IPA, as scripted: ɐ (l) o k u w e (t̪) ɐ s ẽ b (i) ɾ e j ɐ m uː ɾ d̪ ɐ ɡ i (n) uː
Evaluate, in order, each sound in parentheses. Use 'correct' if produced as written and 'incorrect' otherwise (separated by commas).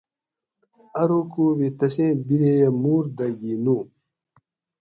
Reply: incorrect, correct, correct, correct